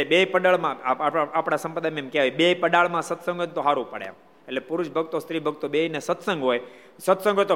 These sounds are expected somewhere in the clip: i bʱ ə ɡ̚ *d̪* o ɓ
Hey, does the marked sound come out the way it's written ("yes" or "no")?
no